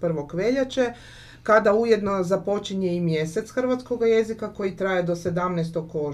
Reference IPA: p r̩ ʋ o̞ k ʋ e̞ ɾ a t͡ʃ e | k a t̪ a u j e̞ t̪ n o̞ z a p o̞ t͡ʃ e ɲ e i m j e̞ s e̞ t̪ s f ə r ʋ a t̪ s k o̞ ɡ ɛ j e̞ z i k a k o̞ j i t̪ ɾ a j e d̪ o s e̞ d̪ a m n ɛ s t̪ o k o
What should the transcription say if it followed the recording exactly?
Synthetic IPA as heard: p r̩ ʋ o̞ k ʋ e̞ ʎ a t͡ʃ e | k a d̪ a u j e̞ d̪ n o̞ z a p o̞ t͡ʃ i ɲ e i m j e̞ s e̞ t̪ s x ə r ʋ a t̪ s k o̞ ɡ a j e̞ z i k a k o̞ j i t̪ ɾ a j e d̪ o s e̞ d̪ a m n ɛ s t̪ o k o